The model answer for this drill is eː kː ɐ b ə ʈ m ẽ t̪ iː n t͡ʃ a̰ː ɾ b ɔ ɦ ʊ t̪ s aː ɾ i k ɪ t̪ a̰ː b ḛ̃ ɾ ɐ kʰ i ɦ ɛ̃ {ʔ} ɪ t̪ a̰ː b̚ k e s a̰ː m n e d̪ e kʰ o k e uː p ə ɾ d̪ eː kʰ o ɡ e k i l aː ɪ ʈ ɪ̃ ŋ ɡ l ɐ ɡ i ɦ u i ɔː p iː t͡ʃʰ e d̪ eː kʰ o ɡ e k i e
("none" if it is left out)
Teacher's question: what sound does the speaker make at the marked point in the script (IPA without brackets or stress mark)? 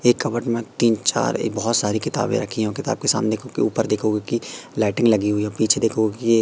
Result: k